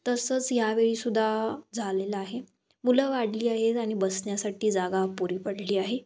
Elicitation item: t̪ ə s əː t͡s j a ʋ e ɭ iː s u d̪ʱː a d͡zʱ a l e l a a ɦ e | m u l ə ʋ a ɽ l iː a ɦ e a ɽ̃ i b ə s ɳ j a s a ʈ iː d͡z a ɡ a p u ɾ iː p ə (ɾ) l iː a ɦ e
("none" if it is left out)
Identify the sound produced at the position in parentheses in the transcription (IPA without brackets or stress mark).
ɽ